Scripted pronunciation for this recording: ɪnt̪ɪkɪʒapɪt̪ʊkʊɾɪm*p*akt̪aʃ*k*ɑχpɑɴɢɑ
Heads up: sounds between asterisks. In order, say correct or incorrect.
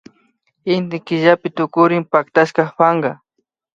correct, correct

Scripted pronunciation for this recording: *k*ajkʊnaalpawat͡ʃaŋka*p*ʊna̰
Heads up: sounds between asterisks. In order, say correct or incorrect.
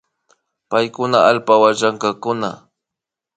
incorrect: p, incorrect: k

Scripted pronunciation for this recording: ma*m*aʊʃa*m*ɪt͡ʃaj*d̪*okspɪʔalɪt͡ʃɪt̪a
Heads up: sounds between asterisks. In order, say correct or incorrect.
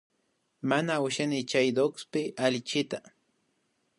incorrect: n, incorrect: n, correct

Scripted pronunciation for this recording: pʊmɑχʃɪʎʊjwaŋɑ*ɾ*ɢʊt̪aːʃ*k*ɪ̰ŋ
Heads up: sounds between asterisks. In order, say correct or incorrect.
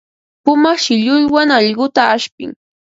incorrect: ʎ, incorrect: p

